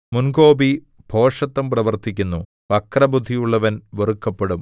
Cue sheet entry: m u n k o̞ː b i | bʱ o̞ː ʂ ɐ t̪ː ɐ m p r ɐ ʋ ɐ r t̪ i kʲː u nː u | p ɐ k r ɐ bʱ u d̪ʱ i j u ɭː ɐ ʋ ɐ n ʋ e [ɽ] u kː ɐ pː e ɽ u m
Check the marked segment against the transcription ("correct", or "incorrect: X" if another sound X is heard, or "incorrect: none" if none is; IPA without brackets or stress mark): incorrect: r